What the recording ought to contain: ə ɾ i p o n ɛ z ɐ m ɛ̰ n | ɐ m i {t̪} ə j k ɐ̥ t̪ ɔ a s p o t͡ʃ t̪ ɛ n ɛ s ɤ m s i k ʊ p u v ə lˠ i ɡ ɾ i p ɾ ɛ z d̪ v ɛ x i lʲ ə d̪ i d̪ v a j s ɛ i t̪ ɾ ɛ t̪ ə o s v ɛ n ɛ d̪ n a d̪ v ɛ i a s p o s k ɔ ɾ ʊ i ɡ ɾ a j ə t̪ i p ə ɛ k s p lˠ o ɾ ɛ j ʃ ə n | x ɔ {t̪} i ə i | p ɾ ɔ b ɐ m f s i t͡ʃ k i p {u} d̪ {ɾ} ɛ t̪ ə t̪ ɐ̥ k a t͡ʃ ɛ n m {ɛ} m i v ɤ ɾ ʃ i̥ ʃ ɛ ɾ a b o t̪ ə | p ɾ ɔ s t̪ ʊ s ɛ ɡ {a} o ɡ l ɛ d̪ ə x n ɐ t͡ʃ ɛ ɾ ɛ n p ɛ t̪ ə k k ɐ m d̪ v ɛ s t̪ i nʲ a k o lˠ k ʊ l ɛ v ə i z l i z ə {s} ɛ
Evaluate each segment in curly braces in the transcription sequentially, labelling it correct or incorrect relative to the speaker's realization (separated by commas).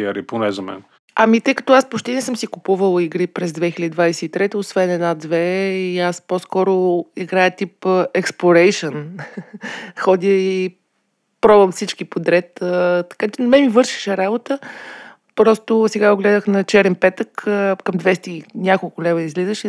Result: correct, incorrect, incorrect, correct, correct, correct, incorrect